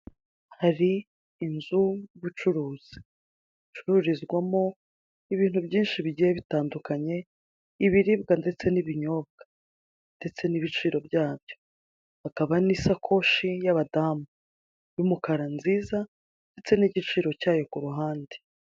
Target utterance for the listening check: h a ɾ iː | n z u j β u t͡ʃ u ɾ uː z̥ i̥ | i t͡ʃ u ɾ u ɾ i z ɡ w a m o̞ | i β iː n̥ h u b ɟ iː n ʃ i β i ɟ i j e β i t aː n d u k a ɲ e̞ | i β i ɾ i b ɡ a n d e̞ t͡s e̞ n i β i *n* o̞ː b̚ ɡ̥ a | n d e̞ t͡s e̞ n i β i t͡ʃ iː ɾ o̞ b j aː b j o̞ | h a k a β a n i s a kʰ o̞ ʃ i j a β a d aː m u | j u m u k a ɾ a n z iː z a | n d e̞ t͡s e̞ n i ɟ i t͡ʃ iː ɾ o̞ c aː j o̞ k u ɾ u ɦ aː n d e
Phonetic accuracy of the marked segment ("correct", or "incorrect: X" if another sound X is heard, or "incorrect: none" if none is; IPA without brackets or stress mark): incorrect: ɲ